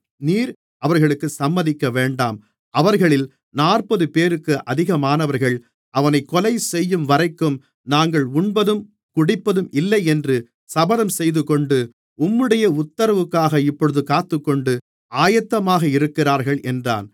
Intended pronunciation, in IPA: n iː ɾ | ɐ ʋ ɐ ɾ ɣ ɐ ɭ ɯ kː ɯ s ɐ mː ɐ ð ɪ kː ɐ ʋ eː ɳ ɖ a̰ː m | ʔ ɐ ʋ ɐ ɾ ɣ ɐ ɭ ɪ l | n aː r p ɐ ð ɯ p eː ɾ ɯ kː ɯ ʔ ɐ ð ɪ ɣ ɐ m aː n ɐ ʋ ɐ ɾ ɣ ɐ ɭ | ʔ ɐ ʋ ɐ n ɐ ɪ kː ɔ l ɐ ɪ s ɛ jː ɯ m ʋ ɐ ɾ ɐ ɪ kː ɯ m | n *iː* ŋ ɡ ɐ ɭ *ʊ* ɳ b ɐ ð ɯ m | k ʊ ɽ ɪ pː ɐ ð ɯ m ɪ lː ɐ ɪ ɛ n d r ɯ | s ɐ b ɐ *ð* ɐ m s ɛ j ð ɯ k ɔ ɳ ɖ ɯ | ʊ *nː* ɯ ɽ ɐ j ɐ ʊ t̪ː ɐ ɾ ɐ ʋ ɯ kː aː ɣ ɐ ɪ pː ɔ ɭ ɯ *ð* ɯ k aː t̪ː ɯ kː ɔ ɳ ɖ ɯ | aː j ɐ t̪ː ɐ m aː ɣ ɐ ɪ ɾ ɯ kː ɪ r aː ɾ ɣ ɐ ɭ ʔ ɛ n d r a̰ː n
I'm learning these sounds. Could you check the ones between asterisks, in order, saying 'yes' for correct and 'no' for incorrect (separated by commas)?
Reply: no, yes, yes, no, yes